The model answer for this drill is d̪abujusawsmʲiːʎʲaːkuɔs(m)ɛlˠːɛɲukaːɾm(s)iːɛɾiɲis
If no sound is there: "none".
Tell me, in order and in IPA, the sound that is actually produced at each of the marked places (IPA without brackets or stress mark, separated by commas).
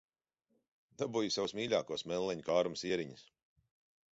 m, s